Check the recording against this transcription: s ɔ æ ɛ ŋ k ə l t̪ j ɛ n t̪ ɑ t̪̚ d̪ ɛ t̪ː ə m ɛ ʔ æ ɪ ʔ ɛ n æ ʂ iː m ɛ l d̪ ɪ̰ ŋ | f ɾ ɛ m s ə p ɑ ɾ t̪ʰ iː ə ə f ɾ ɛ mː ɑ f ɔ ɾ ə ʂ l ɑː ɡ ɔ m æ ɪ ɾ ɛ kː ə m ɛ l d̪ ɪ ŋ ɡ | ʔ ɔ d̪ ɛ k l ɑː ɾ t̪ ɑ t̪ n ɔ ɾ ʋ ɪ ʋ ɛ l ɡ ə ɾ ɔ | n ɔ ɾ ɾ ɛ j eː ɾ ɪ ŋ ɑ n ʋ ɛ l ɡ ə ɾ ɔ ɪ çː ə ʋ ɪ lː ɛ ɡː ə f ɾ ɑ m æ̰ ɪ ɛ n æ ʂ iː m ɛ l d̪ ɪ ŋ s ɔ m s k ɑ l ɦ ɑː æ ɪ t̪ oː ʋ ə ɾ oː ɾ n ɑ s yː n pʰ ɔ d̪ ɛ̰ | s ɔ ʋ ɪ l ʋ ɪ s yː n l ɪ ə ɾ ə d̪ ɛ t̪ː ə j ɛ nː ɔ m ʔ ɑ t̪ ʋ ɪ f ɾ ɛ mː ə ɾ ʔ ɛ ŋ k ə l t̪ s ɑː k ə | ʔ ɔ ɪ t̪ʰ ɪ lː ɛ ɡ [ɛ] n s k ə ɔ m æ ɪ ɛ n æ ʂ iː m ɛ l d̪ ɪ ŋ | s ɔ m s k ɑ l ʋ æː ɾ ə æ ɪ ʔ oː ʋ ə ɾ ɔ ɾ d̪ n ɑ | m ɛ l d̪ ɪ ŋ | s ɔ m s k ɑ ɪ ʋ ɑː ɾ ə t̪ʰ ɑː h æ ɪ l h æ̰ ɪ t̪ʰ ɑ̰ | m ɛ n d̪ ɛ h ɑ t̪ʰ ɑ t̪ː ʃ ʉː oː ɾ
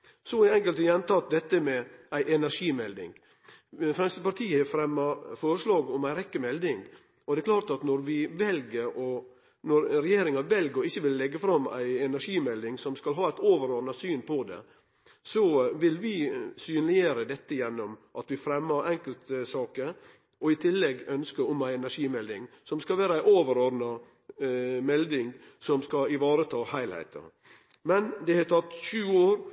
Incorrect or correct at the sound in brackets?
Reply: incorrect: œ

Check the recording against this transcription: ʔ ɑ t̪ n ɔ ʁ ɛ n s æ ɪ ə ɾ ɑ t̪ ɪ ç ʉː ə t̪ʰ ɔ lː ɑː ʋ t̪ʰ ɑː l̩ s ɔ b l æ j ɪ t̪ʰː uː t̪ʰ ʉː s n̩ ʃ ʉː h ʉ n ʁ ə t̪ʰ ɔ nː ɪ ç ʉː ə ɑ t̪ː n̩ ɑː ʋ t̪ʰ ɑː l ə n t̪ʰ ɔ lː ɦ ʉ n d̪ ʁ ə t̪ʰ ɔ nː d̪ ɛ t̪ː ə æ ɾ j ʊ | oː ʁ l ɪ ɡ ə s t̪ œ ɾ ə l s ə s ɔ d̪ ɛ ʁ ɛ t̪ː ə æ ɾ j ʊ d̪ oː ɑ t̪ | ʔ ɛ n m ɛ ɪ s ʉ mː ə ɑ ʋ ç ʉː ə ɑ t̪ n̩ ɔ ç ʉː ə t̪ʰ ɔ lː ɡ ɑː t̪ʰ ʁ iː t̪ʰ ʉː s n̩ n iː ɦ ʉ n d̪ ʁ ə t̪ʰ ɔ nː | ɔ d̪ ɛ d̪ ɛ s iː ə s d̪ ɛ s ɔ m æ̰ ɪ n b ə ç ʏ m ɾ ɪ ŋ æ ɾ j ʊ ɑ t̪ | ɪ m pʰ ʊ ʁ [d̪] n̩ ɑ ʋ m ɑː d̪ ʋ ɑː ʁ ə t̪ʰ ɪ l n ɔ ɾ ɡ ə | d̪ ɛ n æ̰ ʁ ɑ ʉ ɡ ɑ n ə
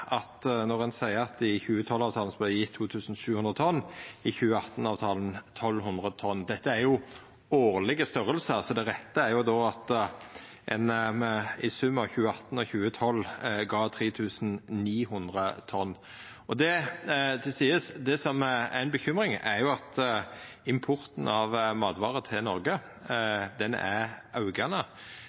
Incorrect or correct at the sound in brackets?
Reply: incorrect: t̪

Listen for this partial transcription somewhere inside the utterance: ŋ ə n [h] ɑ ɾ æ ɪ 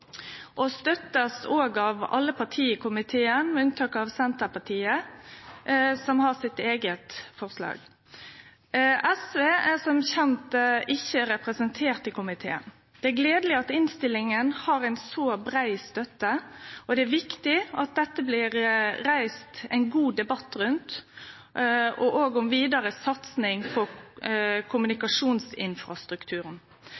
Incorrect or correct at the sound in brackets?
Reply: correct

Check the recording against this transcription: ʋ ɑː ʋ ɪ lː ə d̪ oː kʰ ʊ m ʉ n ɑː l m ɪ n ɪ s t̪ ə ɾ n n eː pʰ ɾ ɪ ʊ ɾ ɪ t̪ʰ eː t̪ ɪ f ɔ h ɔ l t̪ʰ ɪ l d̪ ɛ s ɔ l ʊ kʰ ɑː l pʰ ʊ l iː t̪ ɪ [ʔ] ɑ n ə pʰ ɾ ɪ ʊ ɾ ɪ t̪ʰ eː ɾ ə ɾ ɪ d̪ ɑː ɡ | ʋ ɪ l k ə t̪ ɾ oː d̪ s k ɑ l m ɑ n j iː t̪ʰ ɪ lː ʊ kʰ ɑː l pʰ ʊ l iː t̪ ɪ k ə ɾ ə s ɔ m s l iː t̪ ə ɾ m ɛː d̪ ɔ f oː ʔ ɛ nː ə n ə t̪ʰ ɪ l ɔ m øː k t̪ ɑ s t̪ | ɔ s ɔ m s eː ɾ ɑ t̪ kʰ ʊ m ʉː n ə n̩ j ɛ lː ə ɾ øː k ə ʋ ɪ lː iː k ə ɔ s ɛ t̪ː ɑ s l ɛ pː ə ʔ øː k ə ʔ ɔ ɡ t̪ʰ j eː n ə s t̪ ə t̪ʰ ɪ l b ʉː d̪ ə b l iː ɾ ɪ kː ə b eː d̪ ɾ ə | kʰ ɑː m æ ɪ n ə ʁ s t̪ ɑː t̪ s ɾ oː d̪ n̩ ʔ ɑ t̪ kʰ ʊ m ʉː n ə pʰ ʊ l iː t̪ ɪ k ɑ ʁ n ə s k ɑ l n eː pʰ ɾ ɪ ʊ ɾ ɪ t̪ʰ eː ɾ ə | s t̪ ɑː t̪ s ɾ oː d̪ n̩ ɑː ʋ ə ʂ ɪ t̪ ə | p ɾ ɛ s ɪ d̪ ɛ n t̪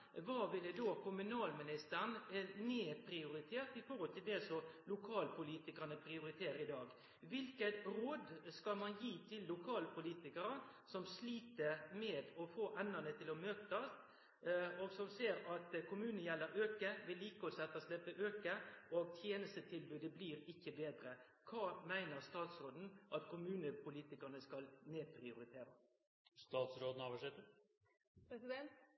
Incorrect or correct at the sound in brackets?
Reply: incorrect: k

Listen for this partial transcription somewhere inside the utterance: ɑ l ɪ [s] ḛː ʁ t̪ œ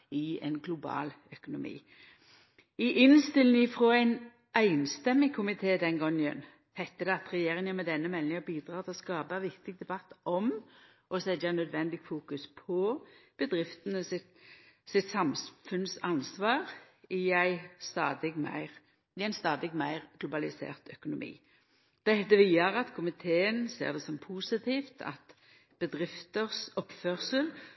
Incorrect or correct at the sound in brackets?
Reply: correct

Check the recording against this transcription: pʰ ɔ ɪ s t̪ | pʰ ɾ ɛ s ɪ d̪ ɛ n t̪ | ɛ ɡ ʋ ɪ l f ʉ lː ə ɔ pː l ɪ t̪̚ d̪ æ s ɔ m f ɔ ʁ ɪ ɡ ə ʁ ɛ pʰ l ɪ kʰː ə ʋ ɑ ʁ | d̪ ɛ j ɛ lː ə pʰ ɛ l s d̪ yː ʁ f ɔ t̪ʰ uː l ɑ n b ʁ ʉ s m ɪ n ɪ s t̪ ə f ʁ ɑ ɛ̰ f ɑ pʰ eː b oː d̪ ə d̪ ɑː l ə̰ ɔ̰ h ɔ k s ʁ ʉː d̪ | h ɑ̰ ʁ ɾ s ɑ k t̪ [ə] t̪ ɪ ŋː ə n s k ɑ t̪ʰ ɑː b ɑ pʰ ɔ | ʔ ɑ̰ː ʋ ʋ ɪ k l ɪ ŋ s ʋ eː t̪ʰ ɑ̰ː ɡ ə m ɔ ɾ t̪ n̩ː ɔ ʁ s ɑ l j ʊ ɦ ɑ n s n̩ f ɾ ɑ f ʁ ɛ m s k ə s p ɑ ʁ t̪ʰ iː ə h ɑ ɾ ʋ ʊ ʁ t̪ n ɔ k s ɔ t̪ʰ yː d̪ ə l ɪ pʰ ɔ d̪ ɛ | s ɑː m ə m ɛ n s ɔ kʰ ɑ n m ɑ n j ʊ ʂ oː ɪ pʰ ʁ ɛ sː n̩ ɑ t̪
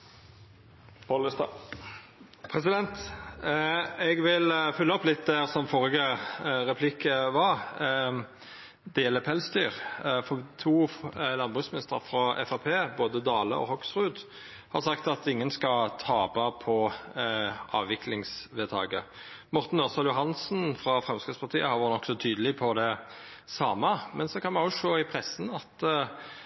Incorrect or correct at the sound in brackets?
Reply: incorrect: ɑ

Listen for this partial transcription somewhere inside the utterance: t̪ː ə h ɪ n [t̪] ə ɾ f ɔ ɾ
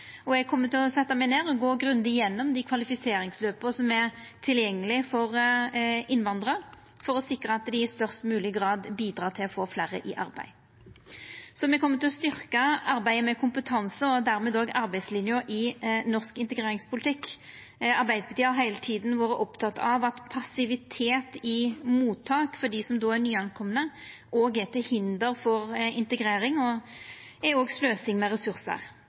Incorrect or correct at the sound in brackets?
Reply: incorrect: d̪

